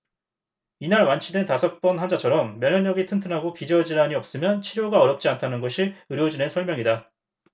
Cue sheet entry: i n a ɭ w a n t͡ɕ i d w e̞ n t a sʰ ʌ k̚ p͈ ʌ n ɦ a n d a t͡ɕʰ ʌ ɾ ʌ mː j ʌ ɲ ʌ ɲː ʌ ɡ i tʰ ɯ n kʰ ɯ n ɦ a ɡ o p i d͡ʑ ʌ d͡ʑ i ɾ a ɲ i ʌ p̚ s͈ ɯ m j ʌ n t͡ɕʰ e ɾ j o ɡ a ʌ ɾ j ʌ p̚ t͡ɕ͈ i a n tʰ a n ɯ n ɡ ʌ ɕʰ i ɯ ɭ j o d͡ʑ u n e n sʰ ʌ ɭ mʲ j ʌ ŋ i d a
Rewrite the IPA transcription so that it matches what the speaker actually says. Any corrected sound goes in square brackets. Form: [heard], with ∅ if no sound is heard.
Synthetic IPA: i n a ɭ w a n [t͡ɕʰ] i d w e̞ n t a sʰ ʌ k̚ p͈ ʌ n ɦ a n [d͡ʑ] a t͡ɕʰ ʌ ɾ ʌ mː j ʌ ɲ ʌ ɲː ʌ ɡ i tʰ ɯ n [tʰ] ɯ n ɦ a ɡ o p i d͡ʑ ʌ d͡ʑ i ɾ a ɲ i ʌ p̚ s͈ ɯ m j ʌ n t͡ɕʰ [i] ɾ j o ɡ a ʌ ɾ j ʌ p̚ t͡ɕ͈ i a n tʰ a n ɯ n ɡ ʌ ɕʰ i ɯ [ɾ] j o d͡ʑ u n e n sʰ ʌ ɭ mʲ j ʌ ŋ i d a

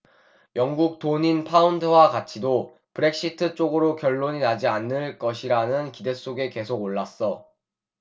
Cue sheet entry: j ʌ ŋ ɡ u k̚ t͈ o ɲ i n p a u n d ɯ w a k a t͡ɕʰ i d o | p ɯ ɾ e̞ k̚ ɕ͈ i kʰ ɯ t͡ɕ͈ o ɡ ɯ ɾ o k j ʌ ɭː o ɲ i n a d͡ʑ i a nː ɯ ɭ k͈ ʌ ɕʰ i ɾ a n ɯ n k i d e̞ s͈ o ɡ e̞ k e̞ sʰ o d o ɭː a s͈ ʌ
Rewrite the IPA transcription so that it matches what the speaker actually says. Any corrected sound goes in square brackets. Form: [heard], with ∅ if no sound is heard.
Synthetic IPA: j ʌ ŋ ɡ u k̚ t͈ o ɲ i n [pʰ] a u n d ɯ w a k a t͡ɕʰ i d o | p ɯ ɾ e̞ k̚ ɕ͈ i [tʰ] ɯ t͡ɕ͈ o ɡ ɯ ɾ o k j ʌ ɭː o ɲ i n a d͡ʑ i a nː ɯ ɭ k͈ ʌ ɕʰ i ɾ a n ɯ n k i d e̞ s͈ o ɡ e̞ k e̞ sʰ o [ɡ] o ɭː a s͈ ʌ

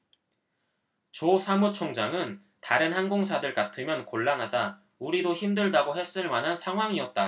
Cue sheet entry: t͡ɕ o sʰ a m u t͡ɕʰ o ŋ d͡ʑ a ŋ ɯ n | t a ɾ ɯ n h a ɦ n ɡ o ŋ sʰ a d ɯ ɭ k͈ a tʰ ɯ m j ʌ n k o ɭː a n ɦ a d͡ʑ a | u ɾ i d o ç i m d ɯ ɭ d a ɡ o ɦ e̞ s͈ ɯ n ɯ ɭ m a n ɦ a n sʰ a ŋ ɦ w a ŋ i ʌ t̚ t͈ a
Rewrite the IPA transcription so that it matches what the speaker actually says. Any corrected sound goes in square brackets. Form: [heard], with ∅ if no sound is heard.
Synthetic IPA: t͡ɕ o sʰ a m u t͡ɕʰ o ŋ d͡ʑ a ŋ ɯ n | t a ɾ ɯ n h a [∅] n ɡ o ŋ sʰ a d ɯ ɭ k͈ a tʰ ɯ m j ʌ n k o ɭː a n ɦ a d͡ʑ a | u ɾ i d o ç i m d ɯ ɭ d a ɡ o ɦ e̞ s͈ ɯ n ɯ ɭ m a n ɦ a n sʰ a ŋ ɦ w a ŋ i ʌ t̚ t͈ a

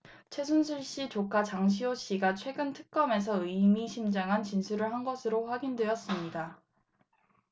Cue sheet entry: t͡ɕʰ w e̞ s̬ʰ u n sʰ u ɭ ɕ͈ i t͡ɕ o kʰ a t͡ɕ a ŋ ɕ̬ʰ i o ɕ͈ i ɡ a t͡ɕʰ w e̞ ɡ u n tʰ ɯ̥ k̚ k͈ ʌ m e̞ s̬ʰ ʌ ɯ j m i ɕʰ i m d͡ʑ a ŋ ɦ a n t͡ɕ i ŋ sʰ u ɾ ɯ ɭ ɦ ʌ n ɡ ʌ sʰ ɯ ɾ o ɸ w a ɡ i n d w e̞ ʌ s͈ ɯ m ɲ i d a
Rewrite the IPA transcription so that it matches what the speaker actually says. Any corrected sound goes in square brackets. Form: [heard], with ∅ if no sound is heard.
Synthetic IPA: t͡ɕʰ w e̞ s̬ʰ u n sʰ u ɭ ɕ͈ i t͡ɕ o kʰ a t͡ɕ a ŋ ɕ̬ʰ i o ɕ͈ i ɡ a t͡ɕʰ w e̞ ɡ [ɯ] n tʰ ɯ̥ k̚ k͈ ʌ m e̞ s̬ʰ ʌ ɯ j m i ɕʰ i m d͡ʑ a ŋ ɦ a n t͡ɕ i [n] sʰ u ɾ ɯ ɭ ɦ [a] n ɡ ʌ sʰ ɯ ɾ o ɸ w a ɡ i n d w e̞ ʌ s͈ ɯ m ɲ i d a

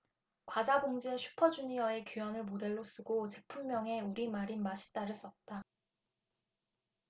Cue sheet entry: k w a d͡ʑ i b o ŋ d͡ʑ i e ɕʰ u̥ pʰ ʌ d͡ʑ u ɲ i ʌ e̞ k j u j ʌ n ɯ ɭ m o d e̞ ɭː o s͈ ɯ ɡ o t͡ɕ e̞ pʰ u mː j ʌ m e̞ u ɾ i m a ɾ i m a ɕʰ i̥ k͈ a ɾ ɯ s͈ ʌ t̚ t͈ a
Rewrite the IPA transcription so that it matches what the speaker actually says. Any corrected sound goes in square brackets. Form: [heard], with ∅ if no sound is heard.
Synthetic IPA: k w a d͡ʑ [a] b o ŋ d͡ʑ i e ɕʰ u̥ pʰ ʌ d͡ʑ u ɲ i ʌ e̞ k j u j ʌ n ɯ ɭ m o d e̞ ɭː o s͈ ɯ ɡ o t͡ɕ e̞ pʰ u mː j ʌ [ŋ] e̞ u ɾ i m a ɾ i m a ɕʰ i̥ [t͈] a ɾ ɯ s͈ ʌ t̚ t͈ a

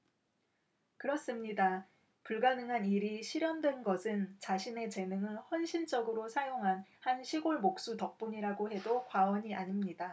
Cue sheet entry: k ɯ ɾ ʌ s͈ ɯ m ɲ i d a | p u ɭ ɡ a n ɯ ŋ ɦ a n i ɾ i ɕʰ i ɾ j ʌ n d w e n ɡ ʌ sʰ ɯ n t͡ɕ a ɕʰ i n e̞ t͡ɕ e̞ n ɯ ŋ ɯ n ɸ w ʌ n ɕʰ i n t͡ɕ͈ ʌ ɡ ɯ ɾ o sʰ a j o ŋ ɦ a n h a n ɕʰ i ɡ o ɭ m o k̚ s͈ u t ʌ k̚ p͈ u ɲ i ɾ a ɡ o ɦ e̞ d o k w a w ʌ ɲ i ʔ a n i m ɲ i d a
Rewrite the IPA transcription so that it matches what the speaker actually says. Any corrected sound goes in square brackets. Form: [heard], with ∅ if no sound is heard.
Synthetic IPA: k ɯ ɾ ʌ s͈ ɯ m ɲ i d a | p u ɭ ɡ a n ɯ ŋ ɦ a n i ɾ i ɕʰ i ɾ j ʌ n d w e n ɡ ʌ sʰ ɯ n t͡ɕ a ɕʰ i n e̞ t͡ɕ e̞ n ɯ ŋ ɯ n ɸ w ʌ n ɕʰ i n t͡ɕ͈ ʌ ɡ ɯ ɾ o sʰ a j o ŋ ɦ a n h a n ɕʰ i ɡ o ɭ m o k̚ s͈ u t ʌ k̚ p͈ u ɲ i ɾ a ɡ o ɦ e̞ d o k w a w ʌ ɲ i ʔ a [ɲ] i m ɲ i d a

